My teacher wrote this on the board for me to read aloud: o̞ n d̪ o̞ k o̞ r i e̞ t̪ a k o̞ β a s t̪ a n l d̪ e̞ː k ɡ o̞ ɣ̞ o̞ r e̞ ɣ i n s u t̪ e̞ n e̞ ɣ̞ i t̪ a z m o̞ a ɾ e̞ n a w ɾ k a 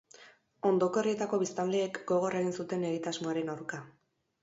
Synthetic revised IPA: o̞ n d̪ o̞ k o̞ r i e̞ t̪ a k o̞ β i s t̪ a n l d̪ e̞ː k ɡ o̞ ɣ̞ o̞ r e̞ ɣ i n s u t̪ e̞ n e̞ ɣ̞ i t̪ a z m o̞ a ɾ e̞ n a w ɾ k a